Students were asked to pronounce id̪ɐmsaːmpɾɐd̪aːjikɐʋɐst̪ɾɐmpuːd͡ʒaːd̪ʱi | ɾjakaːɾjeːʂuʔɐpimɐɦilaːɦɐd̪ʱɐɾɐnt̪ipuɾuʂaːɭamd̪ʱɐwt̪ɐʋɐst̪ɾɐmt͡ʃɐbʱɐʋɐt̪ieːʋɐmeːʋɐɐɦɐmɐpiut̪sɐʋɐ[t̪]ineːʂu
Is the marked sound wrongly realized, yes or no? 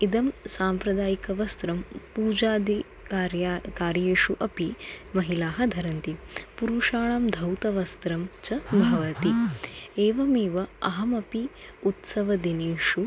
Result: yes